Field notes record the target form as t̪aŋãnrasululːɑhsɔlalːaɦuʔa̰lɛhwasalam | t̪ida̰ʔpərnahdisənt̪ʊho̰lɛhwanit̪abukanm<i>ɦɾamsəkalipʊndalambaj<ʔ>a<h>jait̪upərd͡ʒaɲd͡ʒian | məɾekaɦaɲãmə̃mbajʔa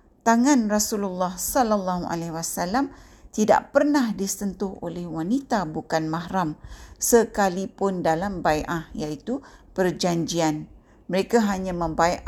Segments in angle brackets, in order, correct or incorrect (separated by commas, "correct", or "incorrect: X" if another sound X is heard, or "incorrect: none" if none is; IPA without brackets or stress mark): incorrect: a, correct, correct